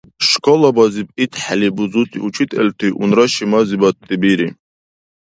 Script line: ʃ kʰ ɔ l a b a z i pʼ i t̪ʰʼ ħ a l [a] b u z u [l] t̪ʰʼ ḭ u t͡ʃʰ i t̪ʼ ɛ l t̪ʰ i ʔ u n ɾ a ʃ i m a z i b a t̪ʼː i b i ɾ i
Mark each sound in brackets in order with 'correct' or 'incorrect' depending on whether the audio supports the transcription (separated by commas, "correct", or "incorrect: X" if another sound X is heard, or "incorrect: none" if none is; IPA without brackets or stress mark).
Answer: incorrect: i, incorrect: none